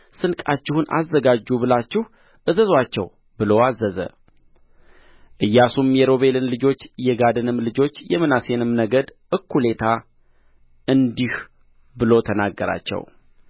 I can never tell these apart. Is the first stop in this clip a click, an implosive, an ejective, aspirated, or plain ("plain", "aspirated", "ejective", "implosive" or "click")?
ejective